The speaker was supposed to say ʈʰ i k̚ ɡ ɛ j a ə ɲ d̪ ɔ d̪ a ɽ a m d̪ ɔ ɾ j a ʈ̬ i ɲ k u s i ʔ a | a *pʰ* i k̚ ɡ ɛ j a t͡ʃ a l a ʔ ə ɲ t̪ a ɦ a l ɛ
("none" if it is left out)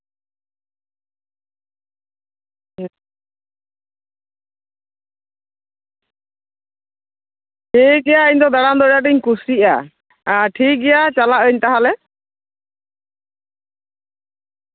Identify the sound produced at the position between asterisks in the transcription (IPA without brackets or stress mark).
ʈʰ